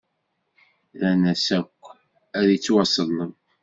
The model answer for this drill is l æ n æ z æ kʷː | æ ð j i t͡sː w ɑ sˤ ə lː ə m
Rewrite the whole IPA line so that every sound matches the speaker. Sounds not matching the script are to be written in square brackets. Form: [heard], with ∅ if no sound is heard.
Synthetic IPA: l æ n æ [s] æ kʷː | æ ð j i t͡sː w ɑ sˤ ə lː ə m